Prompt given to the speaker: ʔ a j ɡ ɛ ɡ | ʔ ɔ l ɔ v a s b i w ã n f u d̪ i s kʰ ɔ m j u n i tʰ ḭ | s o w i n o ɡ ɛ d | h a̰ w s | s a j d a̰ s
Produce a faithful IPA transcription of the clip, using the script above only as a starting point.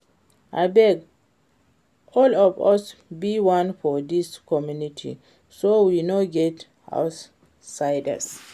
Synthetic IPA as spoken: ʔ a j b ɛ ɡ | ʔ ɔ l ɔ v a s b i w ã n f ɔ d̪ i s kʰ ɔ m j u n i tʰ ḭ | s o w i n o ɡ ɛ t | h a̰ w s | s a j d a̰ s